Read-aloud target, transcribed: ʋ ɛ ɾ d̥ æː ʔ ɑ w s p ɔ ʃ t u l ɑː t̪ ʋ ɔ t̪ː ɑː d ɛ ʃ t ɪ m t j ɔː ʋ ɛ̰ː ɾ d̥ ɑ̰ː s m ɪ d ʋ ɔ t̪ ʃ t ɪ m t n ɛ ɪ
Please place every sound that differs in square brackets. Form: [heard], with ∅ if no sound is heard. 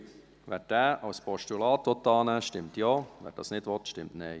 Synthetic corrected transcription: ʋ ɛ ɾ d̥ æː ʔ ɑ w s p ɔ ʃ t u l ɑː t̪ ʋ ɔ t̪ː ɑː [n] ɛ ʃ t ɪ m t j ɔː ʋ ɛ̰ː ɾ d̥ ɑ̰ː s [n] ɪ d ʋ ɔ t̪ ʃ t ɪ m t n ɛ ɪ